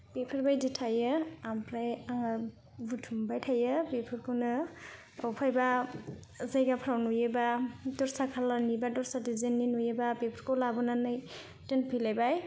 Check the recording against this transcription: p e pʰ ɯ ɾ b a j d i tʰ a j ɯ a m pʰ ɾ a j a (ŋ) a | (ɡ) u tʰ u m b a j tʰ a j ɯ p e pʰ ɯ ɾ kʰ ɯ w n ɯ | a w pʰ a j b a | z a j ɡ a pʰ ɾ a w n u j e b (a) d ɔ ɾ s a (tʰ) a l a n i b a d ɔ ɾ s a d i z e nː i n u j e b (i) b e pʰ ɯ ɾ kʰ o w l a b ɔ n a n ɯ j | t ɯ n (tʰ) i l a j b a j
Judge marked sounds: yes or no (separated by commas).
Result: yes, no, yes, no, no, no